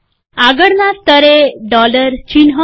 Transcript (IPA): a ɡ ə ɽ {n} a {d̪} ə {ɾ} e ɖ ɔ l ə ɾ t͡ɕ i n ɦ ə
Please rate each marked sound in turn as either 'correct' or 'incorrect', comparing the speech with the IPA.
correct, incorrect: t̪, correct

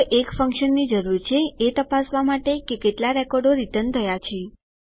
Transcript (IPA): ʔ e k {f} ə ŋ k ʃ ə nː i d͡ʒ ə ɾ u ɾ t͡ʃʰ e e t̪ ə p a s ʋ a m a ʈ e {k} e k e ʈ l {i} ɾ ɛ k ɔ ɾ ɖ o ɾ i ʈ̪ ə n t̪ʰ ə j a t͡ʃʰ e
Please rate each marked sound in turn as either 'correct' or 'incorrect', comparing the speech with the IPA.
correct, correct, incorrect: a

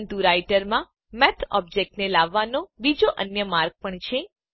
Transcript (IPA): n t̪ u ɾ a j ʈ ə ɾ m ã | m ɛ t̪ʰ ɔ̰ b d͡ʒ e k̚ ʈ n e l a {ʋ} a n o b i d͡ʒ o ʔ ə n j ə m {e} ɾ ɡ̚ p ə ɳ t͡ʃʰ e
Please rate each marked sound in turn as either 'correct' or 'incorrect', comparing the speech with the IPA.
incorrect: ʋː, incorrect: a

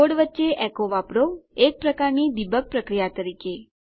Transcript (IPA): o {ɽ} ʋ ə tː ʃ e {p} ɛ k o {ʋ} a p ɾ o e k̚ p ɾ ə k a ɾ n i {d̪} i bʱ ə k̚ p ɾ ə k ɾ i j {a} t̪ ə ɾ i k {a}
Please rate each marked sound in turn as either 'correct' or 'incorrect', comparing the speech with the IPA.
correct, incorrect: ʔ, correct, correct, correct, incorrect: e

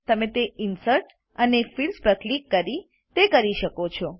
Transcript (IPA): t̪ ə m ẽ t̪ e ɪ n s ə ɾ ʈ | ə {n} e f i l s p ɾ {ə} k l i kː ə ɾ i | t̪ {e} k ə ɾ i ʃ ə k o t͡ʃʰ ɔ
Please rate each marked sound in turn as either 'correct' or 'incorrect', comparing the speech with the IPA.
correct, correct, correct

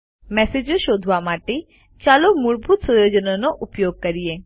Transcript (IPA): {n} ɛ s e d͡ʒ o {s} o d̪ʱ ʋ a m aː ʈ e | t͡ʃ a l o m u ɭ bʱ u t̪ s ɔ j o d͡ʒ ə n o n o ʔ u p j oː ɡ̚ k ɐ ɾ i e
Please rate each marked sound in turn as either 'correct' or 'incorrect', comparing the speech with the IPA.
incorrect: m, incorrect: ʃ

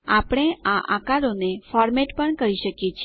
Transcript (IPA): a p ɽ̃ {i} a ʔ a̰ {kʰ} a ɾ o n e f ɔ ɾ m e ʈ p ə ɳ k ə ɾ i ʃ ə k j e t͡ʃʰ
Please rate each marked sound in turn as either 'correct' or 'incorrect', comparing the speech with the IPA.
incorrect: e, incorrect: k

